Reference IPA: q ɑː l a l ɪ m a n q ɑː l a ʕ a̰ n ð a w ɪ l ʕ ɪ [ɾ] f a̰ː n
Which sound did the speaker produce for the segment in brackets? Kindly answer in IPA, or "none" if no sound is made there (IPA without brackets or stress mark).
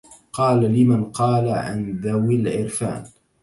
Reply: ɾ